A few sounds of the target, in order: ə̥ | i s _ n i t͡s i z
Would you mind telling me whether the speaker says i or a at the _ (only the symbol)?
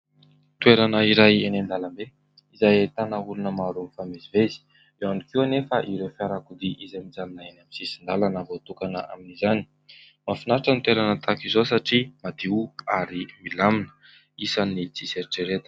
a